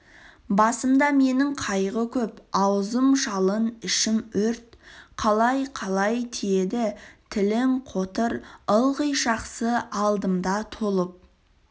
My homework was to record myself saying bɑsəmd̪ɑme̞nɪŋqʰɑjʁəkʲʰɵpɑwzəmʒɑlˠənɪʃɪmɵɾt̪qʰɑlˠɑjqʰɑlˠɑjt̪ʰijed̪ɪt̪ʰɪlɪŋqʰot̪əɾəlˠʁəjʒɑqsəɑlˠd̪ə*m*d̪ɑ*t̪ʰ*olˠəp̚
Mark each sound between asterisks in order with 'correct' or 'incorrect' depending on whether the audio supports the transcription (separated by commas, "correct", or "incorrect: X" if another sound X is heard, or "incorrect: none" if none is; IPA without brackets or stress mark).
correct, correct